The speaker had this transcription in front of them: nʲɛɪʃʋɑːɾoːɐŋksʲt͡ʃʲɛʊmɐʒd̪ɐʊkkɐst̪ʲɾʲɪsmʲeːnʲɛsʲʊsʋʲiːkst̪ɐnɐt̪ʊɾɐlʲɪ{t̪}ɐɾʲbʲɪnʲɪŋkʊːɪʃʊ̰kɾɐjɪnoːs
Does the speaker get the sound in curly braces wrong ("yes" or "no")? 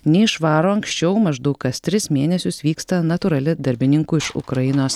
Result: yes